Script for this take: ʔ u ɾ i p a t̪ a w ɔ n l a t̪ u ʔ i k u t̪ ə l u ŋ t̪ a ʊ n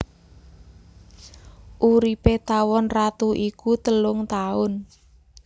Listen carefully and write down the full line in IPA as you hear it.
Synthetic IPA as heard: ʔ u ɾ i p e t̪ a w ɔ n r a t̪ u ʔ i k u t̪ ə l ʊ ŋ t̪ a ʊ n